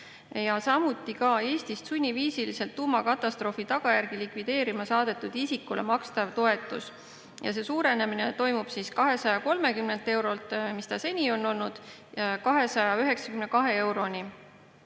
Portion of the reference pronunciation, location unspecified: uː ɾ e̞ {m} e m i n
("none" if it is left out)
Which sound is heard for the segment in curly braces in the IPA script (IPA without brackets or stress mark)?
n